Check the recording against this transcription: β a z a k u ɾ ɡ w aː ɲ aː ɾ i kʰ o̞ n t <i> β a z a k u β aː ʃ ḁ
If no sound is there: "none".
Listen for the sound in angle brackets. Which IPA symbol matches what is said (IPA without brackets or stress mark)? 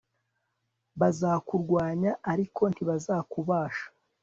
i